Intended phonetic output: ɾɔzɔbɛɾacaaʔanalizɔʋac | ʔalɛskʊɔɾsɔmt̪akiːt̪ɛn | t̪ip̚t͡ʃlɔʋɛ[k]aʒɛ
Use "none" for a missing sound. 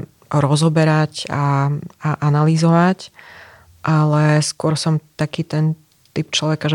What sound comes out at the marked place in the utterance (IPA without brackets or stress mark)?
k